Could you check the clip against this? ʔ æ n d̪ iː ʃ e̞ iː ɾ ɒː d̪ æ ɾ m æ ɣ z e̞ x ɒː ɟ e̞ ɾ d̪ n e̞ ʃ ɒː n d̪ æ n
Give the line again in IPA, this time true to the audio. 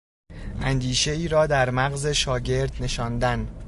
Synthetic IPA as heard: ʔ æ n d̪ iː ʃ e̞ iː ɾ ɒː d̪ æ ɾ m æ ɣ z e̞ ʃ ɒː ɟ e̞ ɾ d̪ n e̞ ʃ ɒː n d̪ æ n